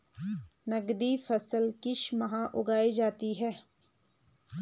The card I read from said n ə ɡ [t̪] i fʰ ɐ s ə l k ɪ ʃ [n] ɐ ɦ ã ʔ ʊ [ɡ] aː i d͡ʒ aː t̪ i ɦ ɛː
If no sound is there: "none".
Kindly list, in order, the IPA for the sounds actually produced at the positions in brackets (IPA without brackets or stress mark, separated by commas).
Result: d̪, m, ɡ